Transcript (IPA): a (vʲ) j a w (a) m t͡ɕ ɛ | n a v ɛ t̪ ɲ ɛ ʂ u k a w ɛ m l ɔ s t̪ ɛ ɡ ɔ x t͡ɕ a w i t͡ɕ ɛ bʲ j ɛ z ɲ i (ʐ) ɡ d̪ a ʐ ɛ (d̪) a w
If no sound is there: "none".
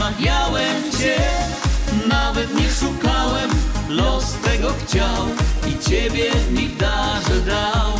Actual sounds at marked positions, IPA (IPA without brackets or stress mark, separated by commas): vʲ, ɛ, none, d̪